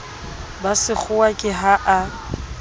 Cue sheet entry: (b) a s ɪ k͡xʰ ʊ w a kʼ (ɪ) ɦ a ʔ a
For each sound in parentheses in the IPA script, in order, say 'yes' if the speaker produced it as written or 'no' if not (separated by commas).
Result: yes, yes